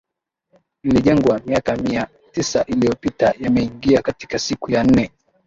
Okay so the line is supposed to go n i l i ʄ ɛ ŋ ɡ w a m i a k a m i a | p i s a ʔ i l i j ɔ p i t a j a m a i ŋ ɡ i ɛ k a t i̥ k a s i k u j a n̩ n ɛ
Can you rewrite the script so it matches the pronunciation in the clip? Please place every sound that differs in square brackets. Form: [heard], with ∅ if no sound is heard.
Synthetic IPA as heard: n i l i ʄ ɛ ŋ ɡ w a m i a k a m i a | [t] i s a ʔ i l i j ɔ p i t a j a m [ɛ] i ŋ ɡ i [a] k a t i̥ k a s i k u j a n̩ n ɛ